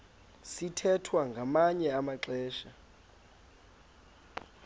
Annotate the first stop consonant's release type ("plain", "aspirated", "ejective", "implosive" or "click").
aspirated